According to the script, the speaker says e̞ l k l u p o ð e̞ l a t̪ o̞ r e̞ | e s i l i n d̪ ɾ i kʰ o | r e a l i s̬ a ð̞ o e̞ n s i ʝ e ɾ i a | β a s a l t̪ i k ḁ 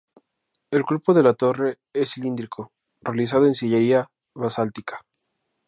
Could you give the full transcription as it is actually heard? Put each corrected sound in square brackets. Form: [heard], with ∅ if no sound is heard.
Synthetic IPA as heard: e̞ l k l u p o ð e̞ l a t̪ o̞ r e̞ | e s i l i n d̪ ɾ i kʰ o | r e a l i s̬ a ð̞ o e̞ n s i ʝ e ɾ i a | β a s a l t̪ i k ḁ